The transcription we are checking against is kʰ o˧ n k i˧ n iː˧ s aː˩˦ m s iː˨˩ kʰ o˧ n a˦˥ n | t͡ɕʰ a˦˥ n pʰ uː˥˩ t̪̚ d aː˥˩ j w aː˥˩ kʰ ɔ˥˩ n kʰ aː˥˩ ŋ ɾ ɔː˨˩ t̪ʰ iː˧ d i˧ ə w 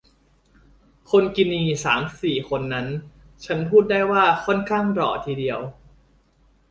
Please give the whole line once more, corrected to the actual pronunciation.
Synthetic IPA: kʰ o˧ n k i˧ n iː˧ s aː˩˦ m s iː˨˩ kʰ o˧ nː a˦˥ n | t͡ɕʰ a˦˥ n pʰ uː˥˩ t̪̚ d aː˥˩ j w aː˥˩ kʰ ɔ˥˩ n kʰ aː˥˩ ŋ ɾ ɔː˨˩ t̪ʰ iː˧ d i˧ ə w